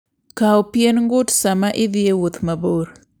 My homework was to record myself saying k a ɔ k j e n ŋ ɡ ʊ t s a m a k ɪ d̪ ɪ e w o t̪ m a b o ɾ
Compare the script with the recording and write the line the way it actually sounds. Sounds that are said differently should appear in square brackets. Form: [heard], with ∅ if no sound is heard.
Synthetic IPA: k a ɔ [p] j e n ŋ ɡ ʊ t s a m a [ʔ] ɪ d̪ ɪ e w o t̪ m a b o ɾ